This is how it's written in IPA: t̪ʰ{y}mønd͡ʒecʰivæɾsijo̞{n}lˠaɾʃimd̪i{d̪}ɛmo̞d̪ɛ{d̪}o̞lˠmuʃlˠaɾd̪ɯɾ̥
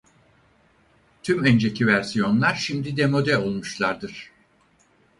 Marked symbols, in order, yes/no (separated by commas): yes, yes, yes, no